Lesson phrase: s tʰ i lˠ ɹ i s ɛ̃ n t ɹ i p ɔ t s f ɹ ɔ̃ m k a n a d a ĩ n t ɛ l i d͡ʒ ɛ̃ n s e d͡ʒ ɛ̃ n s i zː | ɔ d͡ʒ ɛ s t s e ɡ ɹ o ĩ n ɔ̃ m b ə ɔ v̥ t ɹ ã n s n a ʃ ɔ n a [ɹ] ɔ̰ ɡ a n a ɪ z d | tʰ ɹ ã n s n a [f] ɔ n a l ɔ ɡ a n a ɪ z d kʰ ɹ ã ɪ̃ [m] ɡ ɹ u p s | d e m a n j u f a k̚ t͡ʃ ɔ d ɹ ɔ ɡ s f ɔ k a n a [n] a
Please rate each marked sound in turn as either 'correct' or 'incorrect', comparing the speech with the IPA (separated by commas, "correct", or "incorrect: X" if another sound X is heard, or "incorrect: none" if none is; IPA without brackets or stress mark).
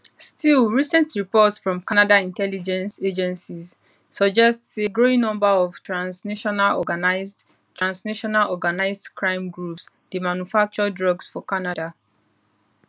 incorrect: l, incorrect: ʃ, correct, incorrect: d